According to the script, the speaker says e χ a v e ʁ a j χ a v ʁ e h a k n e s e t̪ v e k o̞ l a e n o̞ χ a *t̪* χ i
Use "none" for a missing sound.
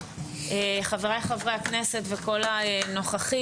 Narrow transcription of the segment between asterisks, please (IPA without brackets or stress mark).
none